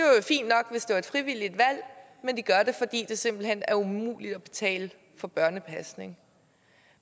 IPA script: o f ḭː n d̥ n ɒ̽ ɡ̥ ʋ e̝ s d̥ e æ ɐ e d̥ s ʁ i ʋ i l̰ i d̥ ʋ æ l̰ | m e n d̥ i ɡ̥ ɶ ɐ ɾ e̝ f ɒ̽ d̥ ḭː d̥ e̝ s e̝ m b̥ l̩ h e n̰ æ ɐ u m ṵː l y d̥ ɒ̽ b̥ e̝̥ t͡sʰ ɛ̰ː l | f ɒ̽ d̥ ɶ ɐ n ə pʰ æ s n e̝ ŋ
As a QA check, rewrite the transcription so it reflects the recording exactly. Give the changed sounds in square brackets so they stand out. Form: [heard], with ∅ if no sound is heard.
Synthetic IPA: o f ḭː n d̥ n ɒ̽ ɡ̥ ʋ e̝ s d̥ e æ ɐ e d̥ [f] ʁ i ʋ i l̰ i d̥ ʋ æ l̰ | m e n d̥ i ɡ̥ ɶ ɐ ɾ e̝ f ɒ̽ d̥ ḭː d̥ e̝ s e̝ m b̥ l̩ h e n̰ æ ɐ u m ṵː l [i] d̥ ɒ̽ b̥ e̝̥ t͡sʰ ɛ̰ː l | f ɒ̽ [b̥] ɶ ɐ n ə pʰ æ s n e̝ ŋ

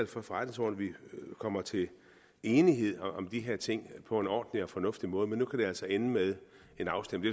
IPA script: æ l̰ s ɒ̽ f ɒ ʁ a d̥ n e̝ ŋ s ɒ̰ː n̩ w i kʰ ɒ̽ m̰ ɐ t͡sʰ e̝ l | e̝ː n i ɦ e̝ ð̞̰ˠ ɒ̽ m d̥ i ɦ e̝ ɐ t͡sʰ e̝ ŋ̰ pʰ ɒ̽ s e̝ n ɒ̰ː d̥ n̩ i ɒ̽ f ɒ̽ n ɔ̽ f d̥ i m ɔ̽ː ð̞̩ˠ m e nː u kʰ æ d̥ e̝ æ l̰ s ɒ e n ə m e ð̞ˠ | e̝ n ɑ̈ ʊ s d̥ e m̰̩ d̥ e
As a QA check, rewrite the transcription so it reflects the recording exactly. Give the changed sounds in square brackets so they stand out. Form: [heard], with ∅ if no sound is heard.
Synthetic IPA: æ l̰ [f] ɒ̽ f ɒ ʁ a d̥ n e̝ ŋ s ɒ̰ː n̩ [ʋ] i kʰ ɒ̽ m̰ ɐ t͡sʰ e̝ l | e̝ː n i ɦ e̝ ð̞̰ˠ ɒ̽ m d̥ i ɦ e̝ ɐ t͡sʰ e̝ ŋ̰ pʰ ɒ̽ [∅] e̝ n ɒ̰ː d̥ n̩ i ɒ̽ f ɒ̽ n ɔ̽ f d̥ i m ɔ̽ː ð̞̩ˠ m e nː u kʰ æ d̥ e̝ æ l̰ s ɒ e n ə m e ð̞ˠ | e̝ n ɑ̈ ʊ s d̥ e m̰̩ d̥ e

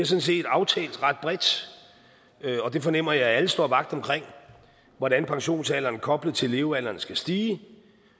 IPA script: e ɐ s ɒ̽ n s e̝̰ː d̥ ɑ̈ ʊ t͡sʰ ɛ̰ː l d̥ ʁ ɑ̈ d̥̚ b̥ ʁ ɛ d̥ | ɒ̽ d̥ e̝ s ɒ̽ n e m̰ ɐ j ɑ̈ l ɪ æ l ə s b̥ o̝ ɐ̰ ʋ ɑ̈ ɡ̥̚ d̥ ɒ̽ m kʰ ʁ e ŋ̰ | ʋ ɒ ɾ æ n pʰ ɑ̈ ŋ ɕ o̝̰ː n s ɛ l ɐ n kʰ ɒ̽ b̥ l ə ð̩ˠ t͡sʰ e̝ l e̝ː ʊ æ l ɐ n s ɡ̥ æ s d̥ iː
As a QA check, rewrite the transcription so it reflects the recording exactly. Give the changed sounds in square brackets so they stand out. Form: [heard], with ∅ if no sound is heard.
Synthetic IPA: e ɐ s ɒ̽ n s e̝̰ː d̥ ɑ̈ ʊ t͡sʰ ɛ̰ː l d̥ ʁ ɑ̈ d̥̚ b̥ ʁ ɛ d̥ | ɒ̽ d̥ e̝ [f] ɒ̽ n e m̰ ɐ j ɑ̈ [∅] ɪ æ l ə s [d̥] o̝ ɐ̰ ʋ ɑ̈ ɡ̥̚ d̥ ɒ̽ m kʰ ʁ e ŋ̰ | ʋ ɒ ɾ æ n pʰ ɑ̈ ŋ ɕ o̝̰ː n s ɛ l ɐ n kʰ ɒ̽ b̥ l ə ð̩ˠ t͡sʰ e̝ l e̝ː ʊ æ l ɐ n s ɡ̥ æ s d̥ iː

